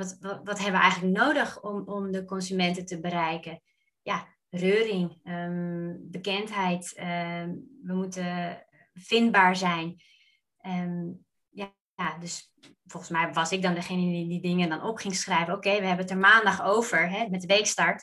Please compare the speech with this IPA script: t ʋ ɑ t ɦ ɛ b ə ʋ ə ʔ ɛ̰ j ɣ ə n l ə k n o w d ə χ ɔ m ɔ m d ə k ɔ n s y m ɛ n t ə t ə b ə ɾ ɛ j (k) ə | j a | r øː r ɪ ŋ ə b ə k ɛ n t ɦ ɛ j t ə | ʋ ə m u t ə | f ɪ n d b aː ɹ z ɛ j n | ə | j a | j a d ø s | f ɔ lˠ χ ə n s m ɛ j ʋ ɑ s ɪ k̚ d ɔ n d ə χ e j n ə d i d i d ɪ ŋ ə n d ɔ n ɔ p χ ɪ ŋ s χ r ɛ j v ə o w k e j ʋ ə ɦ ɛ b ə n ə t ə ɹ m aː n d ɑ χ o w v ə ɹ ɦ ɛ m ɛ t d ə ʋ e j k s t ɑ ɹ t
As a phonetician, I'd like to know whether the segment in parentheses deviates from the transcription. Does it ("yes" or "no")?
no